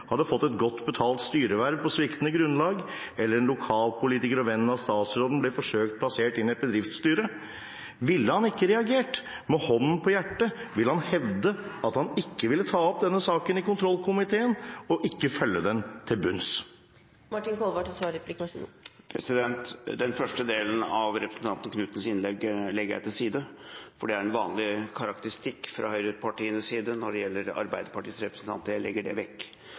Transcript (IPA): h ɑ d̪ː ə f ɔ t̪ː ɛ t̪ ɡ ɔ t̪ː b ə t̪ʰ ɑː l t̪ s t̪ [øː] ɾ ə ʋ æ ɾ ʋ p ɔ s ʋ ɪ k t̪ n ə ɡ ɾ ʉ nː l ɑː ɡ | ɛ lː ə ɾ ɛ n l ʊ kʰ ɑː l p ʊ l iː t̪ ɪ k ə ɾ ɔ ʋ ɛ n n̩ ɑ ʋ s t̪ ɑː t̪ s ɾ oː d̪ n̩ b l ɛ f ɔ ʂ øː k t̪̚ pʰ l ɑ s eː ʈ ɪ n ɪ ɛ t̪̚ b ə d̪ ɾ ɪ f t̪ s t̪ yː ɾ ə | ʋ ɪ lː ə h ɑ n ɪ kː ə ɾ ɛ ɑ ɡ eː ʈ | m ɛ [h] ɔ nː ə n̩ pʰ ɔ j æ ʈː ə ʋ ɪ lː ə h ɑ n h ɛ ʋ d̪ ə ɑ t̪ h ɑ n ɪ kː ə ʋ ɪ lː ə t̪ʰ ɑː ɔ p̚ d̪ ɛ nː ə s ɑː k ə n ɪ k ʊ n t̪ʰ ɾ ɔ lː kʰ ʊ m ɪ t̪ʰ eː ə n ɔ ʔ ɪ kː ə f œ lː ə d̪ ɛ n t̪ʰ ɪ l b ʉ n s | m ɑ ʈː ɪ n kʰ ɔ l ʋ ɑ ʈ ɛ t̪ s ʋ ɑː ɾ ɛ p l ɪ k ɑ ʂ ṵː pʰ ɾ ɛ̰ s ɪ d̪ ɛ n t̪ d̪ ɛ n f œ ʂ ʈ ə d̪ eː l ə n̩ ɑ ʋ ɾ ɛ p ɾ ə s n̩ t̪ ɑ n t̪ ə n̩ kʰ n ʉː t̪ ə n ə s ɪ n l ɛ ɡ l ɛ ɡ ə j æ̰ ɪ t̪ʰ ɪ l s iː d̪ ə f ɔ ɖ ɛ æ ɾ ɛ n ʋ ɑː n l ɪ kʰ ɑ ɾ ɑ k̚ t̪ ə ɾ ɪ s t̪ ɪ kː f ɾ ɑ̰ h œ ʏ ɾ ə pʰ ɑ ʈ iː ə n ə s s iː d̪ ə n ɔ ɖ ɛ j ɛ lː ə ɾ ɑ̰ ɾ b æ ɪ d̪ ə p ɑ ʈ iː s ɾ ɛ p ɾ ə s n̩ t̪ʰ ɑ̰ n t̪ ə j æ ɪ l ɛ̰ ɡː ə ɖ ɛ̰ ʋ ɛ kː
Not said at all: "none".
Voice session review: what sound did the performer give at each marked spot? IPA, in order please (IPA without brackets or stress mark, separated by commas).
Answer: yː, h